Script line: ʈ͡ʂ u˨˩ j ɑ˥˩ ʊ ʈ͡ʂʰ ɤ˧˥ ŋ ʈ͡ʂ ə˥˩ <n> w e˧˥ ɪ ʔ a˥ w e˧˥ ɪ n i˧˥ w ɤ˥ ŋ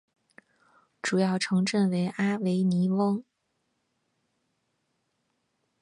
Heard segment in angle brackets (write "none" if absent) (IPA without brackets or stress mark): n